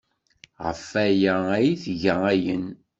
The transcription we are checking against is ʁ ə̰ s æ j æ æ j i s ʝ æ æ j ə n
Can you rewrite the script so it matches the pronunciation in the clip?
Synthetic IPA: ʁ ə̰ f æ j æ æ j i θ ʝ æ æ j ə n